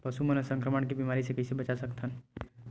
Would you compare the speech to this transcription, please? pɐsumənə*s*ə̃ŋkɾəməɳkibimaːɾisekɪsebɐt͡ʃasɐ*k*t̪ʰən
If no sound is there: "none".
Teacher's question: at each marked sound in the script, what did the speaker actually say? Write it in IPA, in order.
s, k

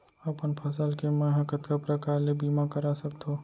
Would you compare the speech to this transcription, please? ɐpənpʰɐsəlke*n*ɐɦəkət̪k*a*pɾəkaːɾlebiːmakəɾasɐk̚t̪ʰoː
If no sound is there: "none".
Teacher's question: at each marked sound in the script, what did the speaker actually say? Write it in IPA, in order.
m, a

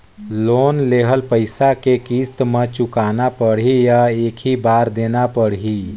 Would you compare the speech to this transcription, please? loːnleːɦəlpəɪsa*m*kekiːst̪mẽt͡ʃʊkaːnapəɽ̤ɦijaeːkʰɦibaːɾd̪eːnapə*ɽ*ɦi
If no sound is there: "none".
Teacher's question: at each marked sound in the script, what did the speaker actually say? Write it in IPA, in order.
none, ɽ

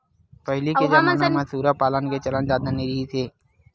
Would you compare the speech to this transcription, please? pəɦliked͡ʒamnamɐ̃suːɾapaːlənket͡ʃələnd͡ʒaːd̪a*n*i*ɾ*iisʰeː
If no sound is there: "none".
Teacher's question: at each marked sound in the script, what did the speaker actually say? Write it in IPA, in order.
n, ɾ

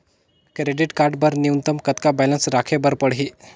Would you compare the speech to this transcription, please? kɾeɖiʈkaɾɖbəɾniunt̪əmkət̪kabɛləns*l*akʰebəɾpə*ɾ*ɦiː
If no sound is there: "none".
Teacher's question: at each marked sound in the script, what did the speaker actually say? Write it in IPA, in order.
ɾ, ɽ

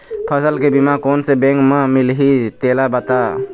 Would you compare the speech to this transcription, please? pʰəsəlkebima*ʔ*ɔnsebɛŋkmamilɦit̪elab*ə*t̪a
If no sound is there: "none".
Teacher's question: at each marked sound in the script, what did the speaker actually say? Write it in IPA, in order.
k, a

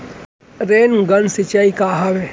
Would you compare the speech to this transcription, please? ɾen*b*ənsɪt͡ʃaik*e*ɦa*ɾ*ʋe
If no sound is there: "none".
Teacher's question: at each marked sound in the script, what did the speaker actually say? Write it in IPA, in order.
ɡ, a, none

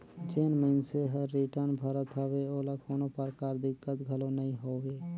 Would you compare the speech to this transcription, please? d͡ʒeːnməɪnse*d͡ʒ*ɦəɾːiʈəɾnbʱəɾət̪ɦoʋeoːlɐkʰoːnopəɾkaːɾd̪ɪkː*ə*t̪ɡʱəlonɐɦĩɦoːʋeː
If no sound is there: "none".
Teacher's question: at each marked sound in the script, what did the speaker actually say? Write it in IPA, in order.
none, ə

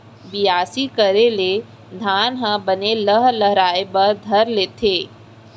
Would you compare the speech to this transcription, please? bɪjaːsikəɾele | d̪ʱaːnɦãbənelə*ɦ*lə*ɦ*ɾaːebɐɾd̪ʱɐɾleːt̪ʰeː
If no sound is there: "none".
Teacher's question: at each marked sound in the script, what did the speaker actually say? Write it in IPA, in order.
ɦ, ɦ

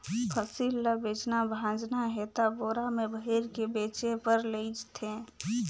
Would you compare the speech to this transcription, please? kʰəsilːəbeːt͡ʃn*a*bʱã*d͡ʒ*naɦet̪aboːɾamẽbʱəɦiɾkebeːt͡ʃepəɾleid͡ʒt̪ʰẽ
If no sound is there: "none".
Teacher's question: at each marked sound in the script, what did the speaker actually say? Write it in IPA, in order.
a, d͡ʒ

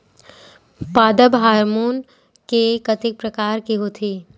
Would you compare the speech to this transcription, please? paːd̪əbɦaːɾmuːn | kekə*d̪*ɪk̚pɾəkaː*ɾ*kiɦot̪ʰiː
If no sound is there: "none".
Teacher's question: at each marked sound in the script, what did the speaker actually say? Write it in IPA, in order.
t̪, ɾ

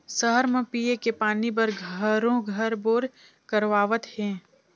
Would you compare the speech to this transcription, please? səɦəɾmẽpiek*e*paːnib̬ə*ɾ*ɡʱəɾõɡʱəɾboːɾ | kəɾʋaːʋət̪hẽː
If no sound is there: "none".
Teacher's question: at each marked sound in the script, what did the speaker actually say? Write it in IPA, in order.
e, ɾ

